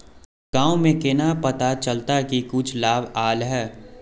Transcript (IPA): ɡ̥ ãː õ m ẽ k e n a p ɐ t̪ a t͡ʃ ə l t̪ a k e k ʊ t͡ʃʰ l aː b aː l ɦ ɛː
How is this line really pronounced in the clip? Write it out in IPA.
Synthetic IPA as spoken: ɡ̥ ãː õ m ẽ k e n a p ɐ t̪ a t͡ʃ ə l t̪ a k i k ʊ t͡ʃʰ l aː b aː l ɦ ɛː